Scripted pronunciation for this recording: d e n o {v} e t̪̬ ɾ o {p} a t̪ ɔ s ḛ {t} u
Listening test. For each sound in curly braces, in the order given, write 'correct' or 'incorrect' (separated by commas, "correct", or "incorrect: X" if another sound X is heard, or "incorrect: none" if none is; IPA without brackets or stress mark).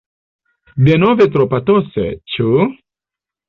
correct, correct, incorrect: t͡ʃ